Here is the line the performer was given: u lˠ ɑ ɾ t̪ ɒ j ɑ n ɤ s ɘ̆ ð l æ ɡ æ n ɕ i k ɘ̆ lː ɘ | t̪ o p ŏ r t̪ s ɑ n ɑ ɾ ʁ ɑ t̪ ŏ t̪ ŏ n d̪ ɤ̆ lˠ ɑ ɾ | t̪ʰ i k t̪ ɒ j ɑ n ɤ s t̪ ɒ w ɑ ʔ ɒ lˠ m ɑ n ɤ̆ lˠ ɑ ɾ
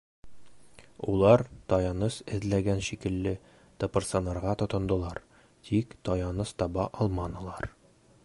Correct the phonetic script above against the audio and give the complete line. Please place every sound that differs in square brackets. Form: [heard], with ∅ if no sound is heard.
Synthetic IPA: u lˠ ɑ ɾ t̪ ɒ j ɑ n ɤ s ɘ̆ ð l æ ɡ æ n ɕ i k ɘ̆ lː ɘ | t̪ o p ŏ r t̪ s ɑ n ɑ ɾ ʁ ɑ t̪ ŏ t̪ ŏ n d̪ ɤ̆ lˠ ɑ ɾ | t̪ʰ i k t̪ ɒ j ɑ n ɤ s t̪ ɒ [b] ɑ ʔ ɒ lˠ m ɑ n ɤ̆ lˠ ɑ ɾ